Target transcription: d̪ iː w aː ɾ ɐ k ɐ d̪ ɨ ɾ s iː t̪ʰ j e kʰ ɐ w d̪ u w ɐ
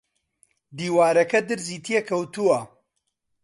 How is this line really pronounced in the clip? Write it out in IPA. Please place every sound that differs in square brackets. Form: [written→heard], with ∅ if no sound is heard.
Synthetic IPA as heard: d̪ iː w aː ɾ ɐ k ɐ d̪ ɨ ɾ [s→z] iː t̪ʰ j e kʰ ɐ w [d̪→t̪] u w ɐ